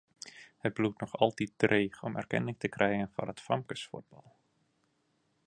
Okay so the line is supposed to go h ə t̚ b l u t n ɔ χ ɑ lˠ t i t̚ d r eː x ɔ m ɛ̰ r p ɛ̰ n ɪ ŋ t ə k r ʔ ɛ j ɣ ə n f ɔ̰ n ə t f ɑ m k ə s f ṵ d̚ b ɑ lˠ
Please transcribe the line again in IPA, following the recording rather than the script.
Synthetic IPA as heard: h ə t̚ b l u t n ɔ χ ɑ lˠ t i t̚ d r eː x ɔ m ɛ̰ r k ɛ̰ n ɪ ŋ t ə k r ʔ ɛ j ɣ ə n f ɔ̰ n ə t f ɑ m k ə s f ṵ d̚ b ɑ lˠ